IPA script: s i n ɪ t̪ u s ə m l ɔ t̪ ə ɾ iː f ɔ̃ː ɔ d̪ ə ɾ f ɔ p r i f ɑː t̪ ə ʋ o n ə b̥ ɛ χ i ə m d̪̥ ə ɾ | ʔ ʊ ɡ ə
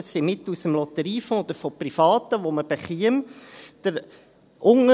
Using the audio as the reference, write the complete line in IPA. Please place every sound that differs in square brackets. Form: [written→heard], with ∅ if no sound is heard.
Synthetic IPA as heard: s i [n→m] ɪ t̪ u s ə m l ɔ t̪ ə ɾ iː f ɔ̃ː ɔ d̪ ə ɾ f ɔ p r i f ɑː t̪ ə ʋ o [n→m] ə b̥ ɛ χ i ə m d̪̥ ə ɾ | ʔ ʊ [ɡ→ŋ] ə

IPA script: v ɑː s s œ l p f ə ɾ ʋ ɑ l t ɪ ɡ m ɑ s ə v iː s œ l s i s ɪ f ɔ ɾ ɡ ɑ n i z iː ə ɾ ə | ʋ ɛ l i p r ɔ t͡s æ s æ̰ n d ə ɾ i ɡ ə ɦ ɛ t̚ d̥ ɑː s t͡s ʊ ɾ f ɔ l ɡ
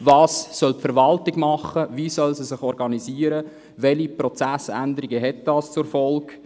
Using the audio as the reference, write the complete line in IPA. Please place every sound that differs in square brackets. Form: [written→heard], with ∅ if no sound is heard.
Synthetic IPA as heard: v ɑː s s œ l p f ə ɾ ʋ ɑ l t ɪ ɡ m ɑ [s→χ] ə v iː s œ l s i s ɪ [f→χ] ɔ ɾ ɡ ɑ n i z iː ə ɾ ə | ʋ ɛ l i p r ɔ t͡s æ s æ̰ n d ə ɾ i ɡ ə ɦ ɛ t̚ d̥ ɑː s t͡s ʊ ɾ f ɔ l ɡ

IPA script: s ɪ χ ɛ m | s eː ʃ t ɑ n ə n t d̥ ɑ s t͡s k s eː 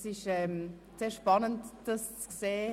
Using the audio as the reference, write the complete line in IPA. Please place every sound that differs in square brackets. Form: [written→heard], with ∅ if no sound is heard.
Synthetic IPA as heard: s ɪ [χ→ʃ] ɛ m | s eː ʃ [t→p] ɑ n ə n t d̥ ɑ s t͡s k s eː

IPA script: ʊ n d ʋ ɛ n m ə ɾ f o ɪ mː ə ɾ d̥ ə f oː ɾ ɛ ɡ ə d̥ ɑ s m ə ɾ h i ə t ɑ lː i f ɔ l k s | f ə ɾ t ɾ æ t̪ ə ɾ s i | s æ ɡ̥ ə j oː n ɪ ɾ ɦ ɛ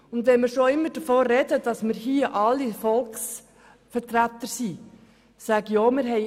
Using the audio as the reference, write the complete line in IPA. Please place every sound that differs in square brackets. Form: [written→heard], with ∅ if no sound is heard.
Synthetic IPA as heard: ʊ n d ʋ ɛ n m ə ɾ [f→ʃ] o ɪ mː ə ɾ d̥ ə f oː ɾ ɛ [ɡ→d] ə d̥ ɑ s m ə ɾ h i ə [t→ʔ] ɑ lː i f ɔ l k s | f ə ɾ t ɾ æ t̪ ə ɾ s i | s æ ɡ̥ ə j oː [n→m] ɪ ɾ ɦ ɛ

